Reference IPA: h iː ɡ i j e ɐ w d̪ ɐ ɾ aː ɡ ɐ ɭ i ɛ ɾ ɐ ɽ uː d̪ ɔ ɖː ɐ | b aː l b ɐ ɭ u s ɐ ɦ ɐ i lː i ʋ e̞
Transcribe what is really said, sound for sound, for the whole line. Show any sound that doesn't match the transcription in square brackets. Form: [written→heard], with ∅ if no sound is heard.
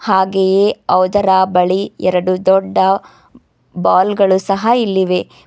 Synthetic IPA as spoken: h [iː→aː] ɡ [i→e] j e ɐ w d̪ ɐ ɾ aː [ɡ→b] ɐ ɭ i ɛ ɾ ɐ ɽ [uː→u] d̪ ɔ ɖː ɐ | b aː l [b→ɡ] ɐ ɭ u s ɐ ɦ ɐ i lː i ʋ e̞